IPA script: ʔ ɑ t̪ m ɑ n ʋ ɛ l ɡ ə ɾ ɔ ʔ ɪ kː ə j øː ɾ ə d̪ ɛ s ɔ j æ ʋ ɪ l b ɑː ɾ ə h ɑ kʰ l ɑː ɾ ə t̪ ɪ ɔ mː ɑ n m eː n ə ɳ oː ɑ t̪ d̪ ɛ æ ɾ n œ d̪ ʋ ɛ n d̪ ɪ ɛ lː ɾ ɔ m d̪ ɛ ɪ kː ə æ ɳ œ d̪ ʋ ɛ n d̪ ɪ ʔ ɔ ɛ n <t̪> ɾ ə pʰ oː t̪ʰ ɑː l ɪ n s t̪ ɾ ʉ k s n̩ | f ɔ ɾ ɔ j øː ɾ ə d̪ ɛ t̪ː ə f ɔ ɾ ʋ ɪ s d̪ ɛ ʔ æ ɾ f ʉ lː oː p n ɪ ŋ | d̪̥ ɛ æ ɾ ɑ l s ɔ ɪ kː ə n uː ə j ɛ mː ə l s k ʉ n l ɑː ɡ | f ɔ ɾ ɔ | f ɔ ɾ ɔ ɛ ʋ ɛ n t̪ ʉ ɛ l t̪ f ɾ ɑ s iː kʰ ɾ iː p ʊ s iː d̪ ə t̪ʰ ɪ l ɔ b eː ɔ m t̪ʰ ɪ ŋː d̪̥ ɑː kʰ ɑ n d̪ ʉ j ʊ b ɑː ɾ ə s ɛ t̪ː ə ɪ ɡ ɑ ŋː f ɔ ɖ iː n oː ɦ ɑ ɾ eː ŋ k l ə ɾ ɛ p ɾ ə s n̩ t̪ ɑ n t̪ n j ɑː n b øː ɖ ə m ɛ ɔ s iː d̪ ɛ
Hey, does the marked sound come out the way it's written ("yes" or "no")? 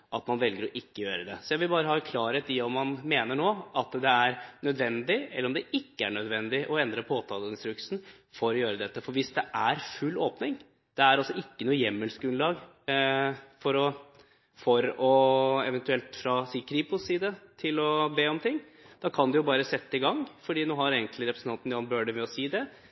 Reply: no